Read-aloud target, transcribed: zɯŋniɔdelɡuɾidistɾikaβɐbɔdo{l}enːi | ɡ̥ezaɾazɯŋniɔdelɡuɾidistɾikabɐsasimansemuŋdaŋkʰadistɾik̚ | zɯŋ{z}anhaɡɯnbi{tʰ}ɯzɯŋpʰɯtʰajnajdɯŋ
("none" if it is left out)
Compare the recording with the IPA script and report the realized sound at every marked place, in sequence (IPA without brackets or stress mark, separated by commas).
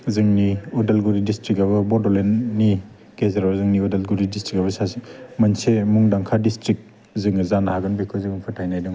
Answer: l, z, kʰ